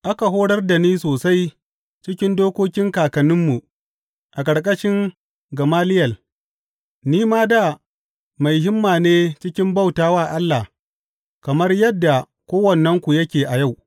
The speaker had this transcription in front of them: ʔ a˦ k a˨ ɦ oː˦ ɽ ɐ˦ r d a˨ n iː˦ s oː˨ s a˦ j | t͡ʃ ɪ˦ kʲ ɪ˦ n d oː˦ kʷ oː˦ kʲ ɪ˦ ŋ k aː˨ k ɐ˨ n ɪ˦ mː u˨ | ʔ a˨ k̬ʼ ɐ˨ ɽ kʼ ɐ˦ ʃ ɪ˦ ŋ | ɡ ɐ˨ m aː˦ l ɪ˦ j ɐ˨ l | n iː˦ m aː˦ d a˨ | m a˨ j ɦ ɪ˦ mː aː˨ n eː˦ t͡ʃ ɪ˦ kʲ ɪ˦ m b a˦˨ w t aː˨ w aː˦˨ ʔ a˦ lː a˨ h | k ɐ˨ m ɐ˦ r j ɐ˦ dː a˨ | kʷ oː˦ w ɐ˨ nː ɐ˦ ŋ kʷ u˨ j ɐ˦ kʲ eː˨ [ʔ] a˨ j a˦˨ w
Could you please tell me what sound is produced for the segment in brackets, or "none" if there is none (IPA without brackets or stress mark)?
ʔ